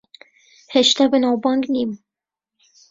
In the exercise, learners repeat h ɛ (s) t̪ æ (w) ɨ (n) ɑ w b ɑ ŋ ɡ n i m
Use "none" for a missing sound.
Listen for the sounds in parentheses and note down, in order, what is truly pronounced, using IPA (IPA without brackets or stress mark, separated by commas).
ʃ, b, n